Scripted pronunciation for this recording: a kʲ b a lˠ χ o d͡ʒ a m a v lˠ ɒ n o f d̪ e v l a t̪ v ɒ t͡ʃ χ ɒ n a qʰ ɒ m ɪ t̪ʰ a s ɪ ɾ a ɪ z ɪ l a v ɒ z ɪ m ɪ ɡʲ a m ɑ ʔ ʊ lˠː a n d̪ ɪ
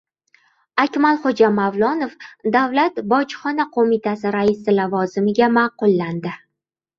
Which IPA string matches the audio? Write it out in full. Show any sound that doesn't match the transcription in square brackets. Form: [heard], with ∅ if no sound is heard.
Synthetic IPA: a kʲ [m] a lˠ χ o d͡ʒ a m a v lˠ ɒ n o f d̪ [a] v l a t̪ [b] ɒ t͡ʃ χ ɒ n a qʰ [o] m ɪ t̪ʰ a s ɪ ɾ a ɪ [s] ɪ l a v ɒ z ɪ m ɪ ɡʲ a m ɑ [q] ʊ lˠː a n d̪ ɪ